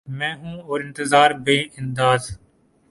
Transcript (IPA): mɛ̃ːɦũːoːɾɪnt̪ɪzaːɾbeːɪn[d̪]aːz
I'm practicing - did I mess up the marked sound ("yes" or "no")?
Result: no